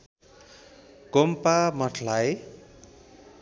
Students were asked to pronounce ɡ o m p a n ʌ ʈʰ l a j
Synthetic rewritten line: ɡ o m p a m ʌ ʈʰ l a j